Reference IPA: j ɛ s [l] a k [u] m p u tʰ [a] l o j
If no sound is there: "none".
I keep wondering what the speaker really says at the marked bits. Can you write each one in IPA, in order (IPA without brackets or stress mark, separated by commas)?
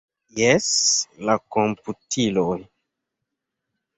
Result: l, o, i